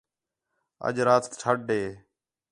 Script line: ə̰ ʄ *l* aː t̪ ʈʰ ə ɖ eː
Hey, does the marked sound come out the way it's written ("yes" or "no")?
no